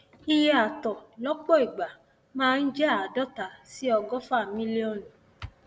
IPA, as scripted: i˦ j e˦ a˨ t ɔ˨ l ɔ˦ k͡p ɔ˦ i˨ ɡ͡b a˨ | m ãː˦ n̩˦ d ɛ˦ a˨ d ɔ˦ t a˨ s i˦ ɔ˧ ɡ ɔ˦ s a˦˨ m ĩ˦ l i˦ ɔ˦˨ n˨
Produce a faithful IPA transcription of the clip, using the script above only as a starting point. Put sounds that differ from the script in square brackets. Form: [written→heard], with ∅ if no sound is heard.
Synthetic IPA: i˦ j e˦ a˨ t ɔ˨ l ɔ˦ k͡p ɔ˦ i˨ ɡ͡b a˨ | m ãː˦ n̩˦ [d→d͡ʒ] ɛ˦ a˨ d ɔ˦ t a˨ s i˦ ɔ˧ ɡ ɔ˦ [s→f] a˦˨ m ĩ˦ l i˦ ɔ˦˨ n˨